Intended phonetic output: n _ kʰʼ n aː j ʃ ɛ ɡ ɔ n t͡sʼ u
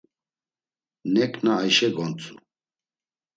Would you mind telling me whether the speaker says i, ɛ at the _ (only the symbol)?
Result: ɛ